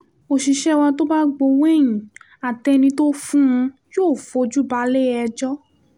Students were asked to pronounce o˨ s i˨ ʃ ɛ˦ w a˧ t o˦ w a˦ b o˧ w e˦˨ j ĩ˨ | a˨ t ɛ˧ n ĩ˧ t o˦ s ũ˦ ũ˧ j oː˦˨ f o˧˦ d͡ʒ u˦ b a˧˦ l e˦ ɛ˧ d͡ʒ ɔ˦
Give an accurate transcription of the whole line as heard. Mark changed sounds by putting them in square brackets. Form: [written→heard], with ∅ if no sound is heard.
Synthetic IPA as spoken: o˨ [s→ʃ] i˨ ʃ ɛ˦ w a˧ t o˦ [w→b] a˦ [b→ɡ͡b] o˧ w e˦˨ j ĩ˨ | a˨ t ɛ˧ n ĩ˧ t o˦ [s→f] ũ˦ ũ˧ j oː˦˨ f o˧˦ d͡ʒ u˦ b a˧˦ l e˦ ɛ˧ d͡ʒ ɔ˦